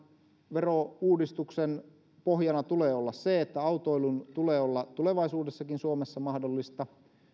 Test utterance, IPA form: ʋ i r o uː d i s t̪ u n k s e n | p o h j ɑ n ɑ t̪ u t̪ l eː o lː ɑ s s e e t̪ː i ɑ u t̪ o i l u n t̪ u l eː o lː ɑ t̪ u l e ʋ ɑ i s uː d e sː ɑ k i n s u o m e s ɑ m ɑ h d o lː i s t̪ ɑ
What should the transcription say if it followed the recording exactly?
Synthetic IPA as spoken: ʋ e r o uː d i s t̪ u k s e n | p o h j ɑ n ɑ t̪ u l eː o lː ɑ s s e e t̪ː æ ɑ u t̪ o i l u n t̪ u l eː o lː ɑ t̪ u l e ʋ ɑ i s uː d e sː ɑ k i n s u o m e sː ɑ m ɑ h d o lː i s t̪ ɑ